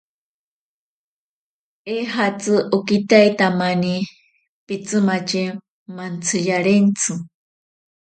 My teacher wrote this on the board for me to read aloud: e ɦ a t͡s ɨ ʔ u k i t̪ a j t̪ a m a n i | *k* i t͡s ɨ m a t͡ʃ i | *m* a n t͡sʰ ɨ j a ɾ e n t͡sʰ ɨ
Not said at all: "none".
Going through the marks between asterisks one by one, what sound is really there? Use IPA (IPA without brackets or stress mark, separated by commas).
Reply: p, m